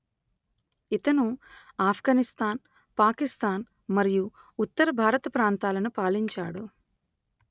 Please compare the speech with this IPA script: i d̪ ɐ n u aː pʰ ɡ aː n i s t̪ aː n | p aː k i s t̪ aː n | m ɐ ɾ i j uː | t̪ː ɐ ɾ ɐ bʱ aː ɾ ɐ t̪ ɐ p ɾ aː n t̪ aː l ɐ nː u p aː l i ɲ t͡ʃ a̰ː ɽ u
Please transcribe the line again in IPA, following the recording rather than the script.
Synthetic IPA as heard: i t̪ ɐ n u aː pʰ ɡ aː n i s t̪ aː n | p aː k i s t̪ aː n | m ɐ ɾ i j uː | t̪ː ɐ ɾ ɐ bʱ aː ɾ ɐ t̪ ɐ p ɾ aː n t̪ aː l ɐ n u p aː l i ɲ t͡ʃ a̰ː ɽ u